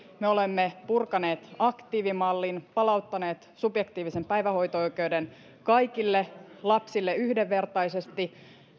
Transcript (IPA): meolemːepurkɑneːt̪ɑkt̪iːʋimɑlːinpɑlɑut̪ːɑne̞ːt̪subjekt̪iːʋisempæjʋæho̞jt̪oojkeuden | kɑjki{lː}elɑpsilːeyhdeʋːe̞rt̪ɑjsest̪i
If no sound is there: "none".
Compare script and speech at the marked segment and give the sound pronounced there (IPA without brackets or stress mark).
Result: lː